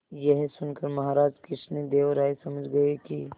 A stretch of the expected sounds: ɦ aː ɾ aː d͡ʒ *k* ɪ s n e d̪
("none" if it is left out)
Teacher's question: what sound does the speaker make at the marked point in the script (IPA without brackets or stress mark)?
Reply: k